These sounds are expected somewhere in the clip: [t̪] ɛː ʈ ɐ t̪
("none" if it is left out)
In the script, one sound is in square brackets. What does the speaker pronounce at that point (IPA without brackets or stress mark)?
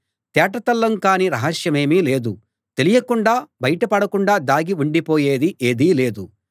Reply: t̪